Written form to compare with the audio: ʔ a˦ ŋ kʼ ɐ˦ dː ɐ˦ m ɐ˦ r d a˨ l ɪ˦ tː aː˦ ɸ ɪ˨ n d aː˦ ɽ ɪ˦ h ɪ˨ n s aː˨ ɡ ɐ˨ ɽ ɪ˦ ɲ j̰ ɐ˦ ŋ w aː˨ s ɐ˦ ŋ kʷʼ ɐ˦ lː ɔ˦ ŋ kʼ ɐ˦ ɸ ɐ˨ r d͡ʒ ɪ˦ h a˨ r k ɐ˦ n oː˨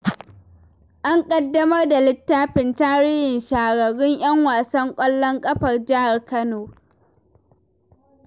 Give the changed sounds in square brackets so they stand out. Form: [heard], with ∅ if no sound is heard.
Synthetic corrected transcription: ʔ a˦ ŋ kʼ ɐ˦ dː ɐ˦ m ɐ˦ r d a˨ l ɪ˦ tː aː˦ ɸ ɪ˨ n [t] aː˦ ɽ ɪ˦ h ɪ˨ n [ʃ] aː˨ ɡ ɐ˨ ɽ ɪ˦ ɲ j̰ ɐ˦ ŋ w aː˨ s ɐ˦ ŋ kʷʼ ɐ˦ lː ɔ˦ ŋ kʼ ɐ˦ ɸ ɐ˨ r d͡ʒ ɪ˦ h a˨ r k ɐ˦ n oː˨

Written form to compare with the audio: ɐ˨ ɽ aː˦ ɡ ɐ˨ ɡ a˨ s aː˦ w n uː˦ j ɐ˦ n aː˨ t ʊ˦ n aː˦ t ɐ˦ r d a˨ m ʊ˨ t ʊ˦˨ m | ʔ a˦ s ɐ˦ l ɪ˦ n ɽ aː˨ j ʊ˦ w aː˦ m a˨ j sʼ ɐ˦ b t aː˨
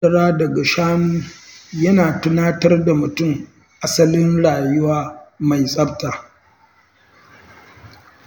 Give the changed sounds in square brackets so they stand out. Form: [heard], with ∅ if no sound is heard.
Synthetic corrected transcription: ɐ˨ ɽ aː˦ [d] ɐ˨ ɡ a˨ [ʃ] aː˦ [∅] n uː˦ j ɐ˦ n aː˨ t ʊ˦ n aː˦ t ɐ˦ r d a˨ m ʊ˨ t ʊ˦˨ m | ʔ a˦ s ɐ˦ l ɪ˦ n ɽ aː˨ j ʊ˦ w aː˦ m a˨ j sʼ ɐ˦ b t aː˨

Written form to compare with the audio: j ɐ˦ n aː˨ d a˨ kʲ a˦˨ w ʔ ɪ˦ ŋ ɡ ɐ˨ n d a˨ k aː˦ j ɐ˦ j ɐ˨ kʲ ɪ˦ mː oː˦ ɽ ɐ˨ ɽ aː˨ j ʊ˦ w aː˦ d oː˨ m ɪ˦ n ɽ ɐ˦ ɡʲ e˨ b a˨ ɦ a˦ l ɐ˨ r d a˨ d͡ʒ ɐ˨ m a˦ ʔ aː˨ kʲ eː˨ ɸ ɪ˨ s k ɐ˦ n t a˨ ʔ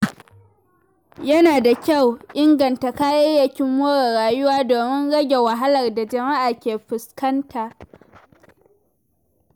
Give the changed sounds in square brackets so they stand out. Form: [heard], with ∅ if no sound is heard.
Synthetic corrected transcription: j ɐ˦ n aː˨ d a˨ kʲ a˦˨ w ʔ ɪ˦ ŋ ɡ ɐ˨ n [t] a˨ k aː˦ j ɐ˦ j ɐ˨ kʲ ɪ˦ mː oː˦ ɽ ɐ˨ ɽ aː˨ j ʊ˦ w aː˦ d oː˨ m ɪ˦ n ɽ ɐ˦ ɡʲ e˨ [w] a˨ ɦ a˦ l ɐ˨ r d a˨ d͡ʒ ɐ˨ m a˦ ʔ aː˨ kʲ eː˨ ɸ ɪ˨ s k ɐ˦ n t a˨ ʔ

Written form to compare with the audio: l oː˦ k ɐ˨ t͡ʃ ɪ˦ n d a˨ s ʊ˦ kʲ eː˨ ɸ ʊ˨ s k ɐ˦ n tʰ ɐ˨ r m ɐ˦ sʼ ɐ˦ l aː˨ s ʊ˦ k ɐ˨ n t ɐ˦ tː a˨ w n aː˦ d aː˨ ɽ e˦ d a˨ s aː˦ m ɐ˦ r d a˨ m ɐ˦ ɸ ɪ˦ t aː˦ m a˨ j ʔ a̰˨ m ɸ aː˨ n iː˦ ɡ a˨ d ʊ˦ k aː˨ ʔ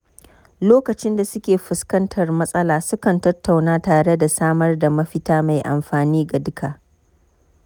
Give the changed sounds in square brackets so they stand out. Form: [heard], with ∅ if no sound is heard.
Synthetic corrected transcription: l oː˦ k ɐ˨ t͡ʃ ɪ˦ n d a˨ s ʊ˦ kʲ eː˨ ɸ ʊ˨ s k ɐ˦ n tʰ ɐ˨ r m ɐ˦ sʼ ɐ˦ l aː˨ s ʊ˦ k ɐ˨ n t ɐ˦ tː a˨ w n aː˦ [t] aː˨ ɽ e˦ d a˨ s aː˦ m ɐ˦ r d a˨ m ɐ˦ ɸ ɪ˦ t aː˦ m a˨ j ʔ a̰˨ m ɸ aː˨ n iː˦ ɡ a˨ d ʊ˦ k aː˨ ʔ

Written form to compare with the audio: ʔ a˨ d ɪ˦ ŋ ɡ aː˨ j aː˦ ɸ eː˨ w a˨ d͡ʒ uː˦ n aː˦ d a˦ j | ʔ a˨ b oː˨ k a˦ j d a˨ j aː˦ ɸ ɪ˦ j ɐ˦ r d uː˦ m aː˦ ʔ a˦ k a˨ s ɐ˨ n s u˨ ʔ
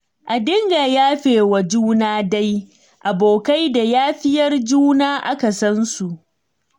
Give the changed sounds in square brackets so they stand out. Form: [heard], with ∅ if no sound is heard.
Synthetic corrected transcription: ʔ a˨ d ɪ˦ ŋ ɡ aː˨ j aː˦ ɸ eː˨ w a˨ d͡ʒ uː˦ n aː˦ d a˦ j | ʔ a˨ b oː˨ k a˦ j d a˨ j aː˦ ɸ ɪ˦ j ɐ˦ r [d͡ʒ] uː˦ [n] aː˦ ʔ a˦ k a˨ s [ɐ˦] n s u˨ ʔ

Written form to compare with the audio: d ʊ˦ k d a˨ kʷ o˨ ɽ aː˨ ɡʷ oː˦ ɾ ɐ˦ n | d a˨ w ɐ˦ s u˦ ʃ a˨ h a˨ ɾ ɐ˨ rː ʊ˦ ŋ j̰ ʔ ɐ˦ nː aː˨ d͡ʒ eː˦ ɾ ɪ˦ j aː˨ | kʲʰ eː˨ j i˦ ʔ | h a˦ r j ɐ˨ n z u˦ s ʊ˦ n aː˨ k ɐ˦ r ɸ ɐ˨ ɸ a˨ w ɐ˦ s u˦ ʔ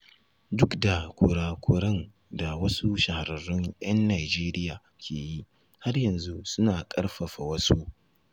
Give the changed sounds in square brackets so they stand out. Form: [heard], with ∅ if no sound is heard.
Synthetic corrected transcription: d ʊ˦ k d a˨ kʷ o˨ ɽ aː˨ [kʷ] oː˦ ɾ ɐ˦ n | d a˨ w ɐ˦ s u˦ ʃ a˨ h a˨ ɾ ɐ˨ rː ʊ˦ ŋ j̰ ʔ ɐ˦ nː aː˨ d͡ʒ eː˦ ɾ ɪ˦ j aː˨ | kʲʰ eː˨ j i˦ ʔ | h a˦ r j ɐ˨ n z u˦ s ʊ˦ n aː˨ [kʼ] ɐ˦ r ɸ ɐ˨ ɸ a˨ w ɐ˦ s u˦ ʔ

